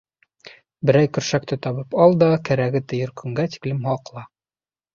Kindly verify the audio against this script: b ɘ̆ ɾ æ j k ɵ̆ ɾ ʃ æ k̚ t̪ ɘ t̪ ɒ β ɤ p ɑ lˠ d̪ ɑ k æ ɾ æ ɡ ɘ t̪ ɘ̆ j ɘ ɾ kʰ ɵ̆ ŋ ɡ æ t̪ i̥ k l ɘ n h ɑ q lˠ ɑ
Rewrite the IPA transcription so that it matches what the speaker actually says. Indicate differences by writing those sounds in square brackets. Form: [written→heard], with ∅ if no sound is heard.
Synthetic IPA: b ɘ̆ ɾ æ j k ɵ̆ ɾ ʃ æ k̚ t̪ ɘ t̪ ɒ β ɤ p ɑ lˠ d̪ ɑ k æ ɾ æ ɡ ɘ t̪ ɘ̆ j ɘ ɾ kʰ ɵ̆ ŋ ɡ æ t̪ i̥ k l ɘ [n→m] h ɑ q lˠ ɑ